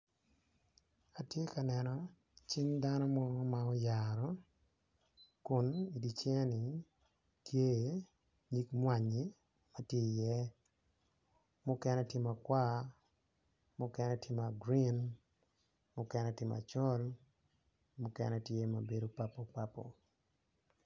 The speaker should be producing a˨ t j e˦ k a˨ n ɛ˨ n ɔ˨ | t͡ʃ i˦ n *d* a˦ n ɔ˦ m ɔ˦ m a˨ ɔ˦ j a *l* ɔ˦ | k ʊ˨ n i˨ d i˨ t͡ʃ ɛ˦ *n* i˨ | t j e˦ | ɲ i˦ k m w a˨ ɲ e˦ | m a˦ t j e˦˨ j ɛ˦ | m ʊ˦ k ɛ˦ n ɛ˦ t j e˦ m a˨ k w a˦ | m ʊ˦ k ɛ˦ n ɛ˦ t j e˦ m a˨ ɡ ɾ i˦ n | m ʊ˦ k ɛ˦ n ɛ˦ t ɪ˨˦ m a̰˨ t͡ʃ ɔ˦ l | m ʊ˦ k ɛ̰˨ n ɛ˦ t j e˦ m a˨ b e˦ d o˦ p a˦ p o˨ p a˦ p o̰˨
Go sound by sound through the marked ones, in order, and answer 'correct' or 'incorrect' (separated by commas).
correct, incorrect, correct